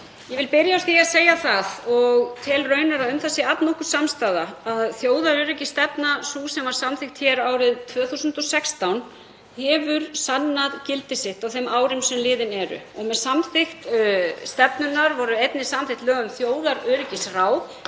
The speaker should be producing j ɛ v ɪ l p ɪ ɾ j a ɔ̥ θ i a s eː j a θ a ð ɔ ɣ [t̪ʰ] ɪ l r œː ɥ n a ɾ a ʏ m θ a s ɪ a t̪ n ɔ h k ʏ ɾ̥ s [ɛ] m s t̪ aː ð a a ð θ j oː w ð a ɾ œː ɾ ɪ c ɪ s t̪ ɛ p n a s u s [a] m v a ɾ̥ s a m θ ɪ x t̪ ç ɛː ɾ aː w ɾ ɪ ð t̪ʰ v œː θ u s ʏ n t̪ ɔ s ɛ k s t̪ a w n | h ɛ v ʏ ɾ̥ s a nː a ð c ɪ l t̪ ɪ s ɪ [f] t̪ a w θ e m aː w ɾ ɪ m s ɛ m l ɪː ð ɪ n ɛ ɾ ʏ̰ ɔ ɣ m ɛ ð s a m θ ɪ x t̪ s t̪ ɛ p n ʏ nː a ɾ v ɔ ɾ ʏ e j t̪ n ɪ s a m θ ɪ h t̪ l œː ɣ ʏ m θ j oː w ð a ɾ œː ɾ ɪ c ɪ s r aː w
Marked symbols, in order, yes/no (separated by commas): yes, no, no, no